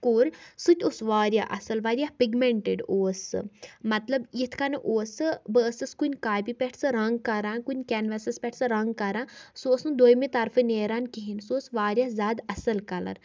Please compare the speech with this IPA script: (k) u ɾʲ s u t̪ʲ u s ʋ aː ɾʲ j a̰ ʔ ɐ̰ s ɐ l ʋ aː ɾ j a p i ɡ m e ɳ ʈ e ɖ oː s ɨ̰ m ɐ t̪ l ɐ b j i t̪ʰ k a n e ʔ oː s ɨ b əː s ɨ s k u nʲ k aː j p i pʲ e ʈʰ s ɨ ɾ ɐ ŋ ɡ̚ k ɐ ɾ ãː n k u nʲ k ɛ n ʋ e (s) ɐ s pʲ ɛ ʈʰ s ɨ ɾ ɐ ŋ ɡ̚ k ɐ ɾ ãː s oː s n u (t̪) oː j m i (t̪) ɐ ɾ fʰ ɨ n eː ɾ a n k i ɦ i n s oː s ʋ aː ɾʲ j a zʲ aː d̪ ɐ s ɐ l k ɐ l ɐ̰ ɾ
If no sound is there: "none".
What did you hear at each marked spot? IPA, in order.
k, s, d̪, t̪

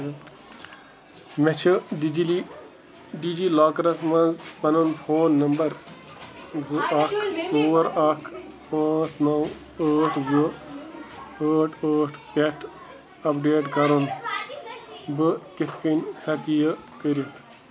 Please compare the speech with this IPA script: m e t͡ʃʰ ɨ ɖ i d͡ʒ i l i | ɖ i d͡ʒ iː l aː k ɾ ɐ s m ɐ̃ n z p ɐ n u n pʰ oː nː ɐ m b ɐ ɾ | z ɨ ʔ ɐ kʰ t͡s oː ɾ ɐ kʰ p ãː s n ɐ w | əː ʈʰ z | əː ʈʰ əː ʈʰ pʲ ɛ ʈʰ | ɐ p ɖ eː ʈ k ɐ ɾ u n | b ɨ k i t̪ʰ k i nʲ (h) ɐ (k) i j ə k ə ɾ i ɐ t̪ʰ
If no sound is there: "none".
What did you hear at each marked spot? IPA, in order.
h, k

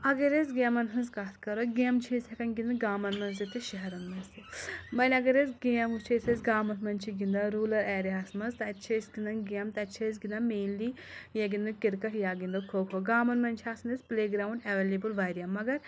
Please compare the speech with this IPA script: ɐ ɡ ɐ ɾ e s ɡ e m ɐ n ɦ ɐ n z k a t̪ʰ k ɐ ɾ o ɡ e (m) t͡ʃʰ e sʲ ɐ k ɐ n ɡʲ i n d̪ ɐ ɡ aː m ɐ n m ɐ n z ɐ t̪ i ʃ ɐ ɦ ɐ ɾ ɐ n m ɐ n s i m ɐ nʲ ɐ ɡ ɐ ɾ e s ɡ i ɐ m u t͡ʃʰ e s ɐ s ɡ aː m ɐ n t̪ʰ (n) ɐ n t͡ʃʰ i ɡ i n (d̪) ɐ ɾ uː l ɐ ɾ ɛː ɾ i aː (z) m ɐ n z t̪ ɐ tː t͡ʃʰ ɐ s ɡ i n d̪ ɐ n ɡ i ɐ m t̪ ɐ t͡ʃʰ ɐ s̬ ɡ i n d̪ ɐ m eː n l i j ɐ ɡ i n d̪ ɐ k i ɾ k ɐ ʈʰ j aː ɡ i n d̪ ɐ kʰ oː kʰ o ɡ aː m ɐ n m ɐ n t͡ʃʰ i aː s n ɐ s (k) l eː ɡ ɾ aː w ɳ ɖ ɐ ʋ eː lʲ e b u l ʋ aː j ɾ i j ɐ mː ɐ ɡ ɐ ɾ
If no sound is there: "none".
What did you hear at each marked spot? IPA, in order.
m, m, d̪, s, p

